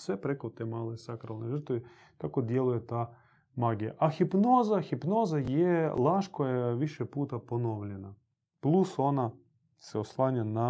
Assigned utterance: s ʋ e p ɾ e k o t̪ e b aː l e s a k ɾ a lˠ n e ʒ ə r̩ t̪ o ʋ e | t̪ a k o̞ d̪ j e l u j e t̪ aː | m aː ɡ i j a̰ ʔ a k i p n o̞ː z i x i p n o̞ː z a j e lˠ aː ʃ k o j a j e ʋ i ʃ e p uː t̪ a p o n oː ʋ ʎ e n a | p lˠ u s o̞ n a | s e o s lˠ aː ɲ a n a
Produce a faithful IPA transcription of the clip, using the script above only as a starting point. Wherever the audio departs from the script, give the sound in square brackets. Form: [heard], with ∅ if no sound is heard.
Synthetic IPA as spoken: s ʋ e p ɾ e k o t̪ e [m] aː l e s a k ɾ a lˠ n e ʒ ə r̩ t̪ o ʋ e | t̪ a k o̞ d̪ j e l u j e t̪ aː | m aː ɡ i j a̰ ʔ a [x] i p n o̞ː z [a] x i p n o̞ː z a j e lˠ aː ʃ k o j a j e ʋ i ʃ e p uː t̪ a p o n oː ʋ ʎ e n a | p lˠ u s o̞ n a | s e o s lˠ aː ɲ a n a